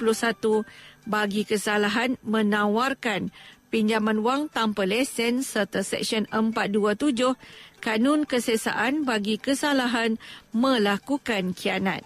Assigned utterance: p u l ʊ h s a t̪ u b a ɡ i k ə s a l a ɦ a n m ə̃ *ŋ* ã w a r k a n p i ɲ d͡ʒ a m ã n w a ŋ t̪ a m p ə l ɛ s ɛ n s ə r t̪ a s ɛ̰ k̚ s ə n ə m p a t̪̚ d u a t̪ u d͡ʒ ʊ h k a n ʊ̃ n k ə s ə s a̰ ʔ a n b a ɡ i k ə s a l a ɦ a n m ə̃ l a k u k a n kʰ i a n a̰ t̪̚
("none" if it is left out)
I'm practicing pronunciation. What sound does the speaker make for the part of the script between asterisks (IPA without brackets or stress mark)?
n